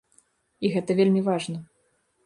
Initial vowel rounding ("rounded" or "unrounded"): unrounded